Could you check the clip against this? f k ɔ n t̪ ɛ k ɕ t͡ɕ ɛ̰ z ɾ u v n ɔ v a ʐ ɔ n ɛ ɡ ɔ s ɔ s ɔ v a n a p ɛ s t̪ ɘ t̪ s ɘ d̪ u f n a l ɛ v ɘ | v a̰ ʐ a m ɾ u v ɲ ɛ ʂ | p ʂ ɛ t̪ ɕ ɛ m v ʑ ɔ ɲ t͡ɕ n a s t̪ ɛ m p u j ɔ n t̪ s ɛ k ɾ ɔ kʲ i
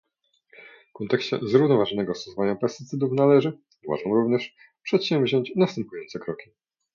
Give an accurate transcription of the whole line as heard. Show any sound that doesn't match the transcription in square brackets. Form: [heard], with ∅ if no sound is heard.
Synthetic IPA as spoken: f k ɔ n t̪ ɛ k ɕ t͡ɕ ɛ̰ z ɾ u v n ɔ v a ʐ ɔ n ɛ ɡ ɔ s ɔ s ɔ v a [ɲ] a p ɛ s t̪ ɘ t̪ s ɘ d̪ u f n a l ɛ [ʐ] ɘ | v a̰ ʐ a m ɾ u v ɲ ɛ ʂ | p ʂ ɛ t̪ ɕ ɛ m v ʑ ɔ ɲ t͡ɕ n a s t̪ ɛ m p u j ɔ n t̪ s ɛ k ɾ ɔ kʲ i

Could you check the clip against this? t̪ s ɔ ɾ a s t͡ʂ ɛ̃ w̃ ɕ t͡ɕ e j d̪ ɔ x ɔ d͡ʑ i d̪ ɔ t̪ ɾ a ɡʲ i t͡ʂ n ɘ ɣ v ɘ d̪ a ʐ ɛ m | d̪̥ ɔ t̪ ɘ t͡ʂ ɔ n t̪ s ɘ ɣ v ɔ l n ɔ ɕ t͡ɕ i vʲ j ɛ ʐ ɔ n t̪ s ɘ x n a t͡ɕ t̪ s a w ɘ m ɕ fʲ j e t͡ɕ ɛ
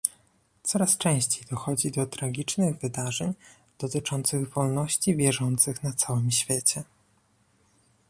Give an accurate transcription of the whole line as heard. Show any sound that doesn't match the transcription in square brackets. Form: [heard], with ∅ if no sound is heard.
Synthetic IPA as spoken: t̪ s ɔ ɾ a s t͡ʂ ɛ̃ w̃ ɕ t͡ɕ e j d̪ ɔ x ɔ d͡ʑ i d̪ ɔ t̪ ɾ a ɡʲ i t͡ʂ n ɘ ɣ v ɘ d̪ a ʐ ɛ [ɲ] | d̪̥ ɔ t̪ ɘ t͡ʂ ɔ n t̪ s ɘ ɣ v ɔ l n ɔ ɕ t͡ɕ i vʲ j ɛ ʐ ɔ n t̪ s ɘ x n a [∅] t̪ s a w ɘ m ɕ fʲ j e t͡ɕ ɛ

